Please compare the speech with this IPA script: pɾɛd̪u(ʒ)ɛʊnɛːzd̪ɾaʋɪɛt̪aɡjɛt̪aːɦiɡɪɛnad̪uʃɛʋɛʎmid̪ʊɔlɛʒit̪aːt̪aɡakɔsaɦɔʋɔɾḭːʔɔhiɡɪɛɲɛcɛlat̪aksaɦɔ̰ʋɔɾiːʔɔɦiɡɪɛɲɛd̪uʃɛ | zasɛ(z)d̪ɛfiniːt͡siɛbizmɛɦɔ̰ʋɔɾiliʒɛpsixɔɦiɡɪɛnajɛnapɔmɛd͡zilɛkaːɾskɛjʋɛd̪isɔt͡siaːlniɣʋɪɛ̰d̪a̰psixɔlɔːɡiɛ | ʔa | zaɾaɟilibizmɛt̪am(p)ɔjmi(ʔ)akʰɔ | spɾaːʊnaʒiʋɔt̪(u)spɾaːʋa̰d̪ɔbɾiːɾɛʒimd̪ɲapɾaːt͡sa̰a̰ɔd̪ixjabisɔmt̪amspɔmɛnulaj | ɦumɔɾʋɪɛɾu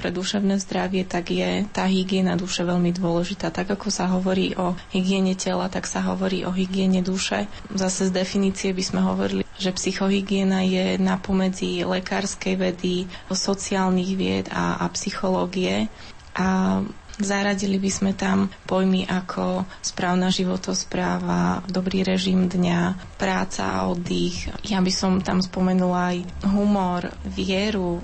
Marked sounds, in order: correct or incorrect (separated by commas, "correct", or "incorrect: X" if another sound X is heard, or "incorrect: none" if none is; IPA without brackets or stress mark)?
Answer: incorrect: ʃ, correct, correct, correct, incorrect: ɔ